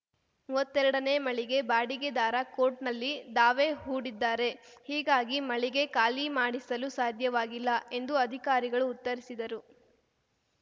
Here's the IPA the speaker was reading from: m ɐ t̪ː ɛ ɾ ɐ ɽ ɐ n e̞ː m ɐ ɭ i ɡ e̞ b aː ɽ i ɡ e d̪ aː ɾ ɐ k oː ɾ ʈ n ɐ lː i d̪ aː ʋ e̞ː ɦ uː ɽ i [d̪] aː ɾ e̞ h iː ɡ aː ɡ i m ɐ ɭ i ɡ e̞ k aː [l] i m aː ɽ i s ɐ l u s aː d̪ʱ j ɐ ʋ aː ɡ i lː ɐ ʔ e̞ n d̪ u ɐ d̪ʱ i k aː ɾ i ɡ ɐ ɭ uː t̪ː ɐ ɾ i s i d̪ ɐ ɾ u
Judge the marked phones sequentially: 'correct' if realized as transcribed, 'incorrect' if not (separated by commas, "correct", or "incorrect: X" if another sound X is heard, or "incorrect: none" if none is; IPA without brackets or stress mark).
incorrect: d̪ː, correct